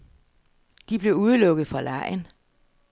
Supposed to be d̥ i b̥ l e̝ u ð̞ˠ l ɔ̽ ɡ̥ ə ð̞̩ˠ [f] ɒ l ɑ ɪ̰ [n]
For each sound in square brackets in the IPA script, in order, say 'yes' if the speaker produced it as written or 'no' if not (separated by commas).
yes, yes